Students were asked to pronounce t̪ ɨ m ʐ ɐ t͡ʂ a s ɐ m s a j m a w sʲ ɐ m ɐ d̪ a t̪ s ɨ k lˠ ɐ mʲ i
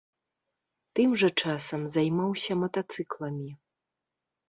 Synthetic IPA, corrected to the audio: t̪ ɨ m ʐ ɐ t͡ʂ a s ɐ m z a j m a w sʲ ɐ m ɐ t̪ a t̪ s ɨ k lˠ ɐ mʲ i